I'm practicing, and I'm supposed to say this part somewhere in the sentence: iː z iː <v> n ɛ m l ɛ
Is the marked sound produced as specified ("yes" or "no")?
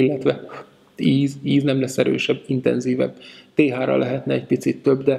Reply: no